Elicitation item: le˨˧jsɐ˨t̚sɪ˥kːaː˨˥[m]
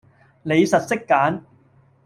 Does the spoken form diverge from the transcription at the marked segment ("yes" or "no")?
yes